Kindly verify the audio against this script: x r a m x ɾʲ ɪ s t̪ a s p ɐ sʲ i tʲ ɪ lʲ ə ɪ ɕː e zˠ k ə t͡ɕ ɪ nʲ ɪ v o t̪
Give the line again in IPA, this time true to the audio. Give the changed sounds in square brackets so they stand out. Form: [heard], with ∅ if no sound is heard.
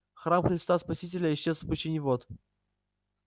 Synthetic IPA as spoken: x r a m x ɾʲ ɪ s t̪ a s p ɐ sʲ i tʲ ɪ lʲ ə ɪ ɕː e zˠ [p] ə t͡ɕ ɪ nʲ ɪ v o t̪